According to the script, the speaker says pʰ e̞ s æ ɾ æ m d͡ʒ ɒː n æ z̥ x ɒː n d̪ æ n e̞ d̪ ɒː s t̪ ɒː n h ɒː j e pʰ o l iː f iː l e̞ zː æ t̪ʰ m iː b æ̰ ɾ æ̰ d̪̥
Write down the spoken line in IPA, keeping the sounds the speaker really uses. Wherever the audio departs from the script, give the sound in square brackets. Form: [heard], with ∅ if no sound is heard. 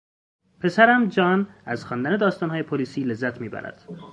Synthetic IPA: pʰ e̞ s æ ɾ æ m d͡ʒ ɒː n æ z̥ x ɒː n d̪ æ n e̞ d̪ ɒː s t̪ ɒː n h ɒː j e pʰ o l iː [s] iː l e̞ zː æ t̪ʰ m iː b æ̰ ɾ æ̰ d̪̥